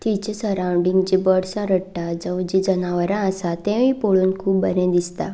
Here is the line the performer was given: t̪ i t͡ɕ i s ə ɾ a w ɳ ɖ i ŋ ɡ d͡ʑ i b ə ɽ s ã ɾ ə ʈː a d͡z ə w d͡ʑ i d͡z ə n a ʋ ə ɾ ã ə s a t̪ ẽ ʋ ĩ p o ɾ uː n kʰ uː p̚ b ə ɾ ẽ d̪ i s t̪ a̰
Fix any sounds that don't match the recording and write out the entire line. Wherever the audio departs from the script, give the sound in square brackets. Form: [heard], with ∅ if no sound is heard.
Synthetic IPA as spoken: t̪ i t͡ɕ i s ə ɾ a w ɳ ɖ i ŋ ɡ d͡ʑ i b ə ɽ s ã ɾ ə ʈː a d͡z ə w d͡ʑ i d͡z ə n a ʋ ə ɾ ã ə s a t̪ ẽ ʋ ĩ p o [ɭ] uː n kʰ uː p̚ b ə ɾ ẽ d̪ i s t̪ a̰